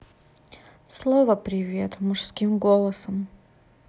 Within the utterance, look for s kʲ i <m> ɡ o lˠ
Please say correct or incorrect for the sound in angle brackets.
correct